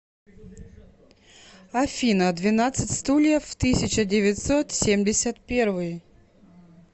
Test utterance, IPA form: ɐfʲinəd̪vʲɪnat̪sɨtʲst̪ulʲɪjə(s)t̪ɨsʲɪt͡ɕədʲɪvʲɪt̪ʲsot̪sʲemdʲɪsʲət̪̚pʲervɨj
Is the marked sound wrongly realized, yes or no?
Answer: yes